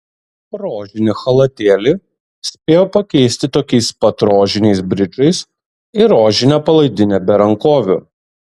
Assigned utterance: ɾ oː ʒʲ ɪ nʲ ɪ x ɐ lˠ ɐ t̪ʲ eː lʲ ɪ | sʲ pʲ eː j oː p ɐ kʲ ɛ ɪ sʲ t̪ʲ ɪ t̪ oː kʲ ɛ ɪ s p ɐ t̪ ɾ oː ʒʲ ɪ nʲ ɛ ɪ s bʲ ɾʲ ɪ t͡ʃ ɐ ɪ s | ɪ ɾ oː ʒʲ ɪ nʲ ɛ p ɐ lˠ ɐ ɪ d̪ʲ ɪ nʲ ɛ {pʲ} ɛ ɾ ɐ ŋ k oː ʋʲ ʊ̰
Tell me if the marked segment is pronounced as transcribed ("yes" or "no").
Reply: no